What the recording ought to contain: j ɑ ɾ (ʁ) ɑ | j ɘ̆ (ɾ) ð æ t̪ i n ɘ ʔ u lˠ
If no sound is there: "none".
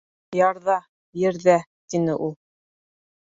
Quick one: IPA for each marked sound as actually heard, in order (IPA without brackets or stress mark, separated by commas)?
ð, ɾ